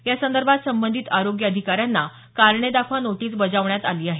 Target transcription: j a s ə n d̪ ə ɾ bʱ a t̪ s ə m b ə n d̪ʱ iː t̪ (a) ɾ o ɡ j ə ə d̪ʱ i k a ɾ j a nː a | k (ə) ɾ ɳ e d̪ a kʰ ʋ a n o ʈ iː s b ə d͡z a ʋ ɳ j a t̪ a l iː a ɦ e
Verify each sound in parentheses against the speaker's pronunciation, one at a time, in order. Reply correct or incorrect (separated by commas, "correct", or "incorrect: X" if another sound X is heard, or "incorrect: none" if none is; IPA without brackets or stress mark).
correct, incorrect: a